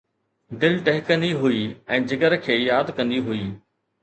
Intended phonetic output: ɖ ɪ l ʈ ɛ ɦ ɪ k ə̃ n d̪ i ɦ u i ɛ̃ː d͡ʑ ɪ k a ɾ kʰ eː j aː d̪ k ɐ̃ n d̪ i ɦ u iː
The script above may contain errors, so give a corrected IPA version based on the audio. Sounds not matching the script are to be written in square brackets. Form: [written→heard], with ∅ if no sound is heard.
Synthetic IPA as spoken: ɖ ɪ l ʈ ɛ ɦ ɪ k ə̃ n d̪ i ɦ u i ɛ̃ː d͡ʑ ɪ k [a→ə] ɾ kʰ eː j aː d̪ k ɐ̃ n d̪ i ɦ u iː